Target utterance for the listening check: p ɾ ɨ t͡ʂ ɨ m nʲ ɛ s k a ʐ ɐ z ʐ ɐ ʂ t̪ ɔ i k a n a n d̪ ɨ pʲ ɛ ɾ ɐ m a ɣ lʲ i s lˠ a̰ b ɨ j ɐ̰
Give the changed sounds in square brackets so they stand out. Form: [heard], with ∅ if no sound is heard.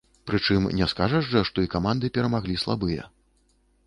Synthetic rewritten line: p ɾ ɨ t͡ʂ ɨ m nʲ ɛ s k a ʐ ɐ [ʐ] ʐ ɐ ʂ t̪ ɔ i k a [m] a n d̪ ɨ pʲ ɛ ɾ ɐ m a ɣ lʲ i s lˠ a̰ b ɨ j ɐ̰